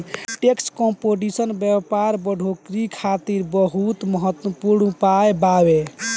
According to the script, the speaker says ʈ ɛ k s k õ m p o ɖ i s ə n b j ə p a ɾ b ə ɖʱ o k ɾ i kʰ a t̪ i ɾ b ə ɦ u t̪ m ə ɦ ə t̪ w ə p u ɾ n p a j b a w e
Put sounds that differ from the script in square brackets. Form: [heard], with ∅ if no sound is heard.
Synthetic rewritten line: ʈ [e] k s k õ m p o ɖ i s ə n b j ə p a ɾ b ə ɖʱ o k ɾ i kʰ a t̪ i ɾ b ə ɦ u t̪ m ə ɦ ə t̪ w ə p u ɾ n p a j b a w e